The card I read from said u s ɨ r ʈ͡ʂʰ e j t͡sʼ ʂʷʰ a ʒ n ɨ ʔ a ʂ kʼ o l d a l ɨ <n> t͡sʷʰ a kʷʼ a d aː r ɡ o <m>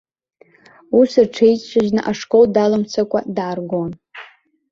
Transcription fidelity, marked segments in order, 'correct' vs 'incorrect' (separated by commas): incorrect, incorrect